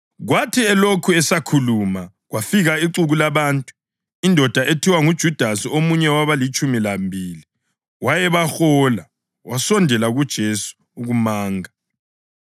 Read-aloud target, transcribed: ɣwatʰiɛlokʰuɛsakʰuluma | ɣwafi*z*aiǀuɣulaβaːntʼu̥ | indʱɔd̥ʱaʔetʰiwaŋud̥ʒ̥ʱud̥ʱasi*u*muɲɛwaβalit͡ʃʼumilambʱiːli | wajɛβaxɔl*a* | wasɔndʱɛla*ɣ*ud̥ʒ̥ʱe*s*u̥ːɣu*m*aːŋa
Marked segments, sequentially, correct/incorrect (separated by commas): incorrect, incorrect, correct, correct, correct, correct